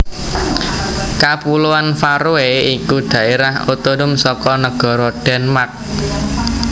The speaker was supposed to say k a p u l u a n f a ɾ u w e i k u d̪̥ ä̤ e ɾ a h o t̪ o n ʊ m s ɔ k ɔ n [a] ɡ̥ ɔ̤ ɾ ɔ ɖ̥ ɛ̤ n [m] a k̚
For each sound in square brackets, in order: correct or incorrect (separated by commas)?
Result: incorrect, correct